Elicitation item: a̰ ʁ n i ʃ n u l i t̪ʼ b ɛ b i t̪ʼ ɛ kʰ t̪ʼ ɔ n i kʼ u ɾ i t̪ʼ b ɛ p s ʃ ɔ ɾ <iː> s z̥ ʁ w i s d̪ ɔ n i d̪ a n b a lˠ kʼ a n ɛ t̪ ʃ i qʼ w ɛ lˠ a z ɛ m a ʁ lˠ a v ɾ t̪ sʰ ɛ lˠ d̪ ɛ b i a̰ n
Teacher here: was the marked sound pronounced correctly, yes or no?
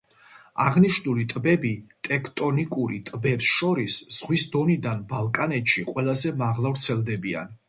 no